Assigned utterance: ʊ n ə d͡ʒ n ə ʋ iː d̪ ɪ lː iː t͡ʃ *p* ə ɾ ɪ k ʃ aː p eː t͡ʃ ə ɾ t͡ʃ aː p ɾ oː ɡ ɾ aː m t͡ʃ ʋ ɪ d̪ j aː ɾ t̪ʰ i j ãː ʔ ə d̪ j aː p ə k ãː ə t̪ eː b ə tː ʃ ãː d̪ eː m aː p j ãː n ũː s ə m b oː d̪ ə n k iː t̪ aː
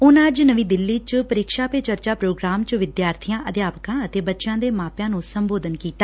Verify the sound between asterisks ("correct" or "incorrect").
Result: correct